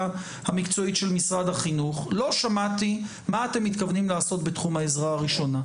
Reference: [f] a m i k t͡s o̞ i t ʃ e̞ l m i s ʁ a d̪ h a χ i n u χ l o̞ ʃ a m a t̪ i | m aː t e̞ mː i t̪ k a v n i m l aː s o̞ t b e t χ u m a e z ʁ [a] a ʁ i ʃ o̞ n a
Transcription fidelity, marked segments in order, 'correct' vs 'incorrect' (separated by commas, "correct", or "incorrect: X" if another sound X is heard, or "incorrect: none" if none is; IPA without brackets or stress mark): incorrect: h, correct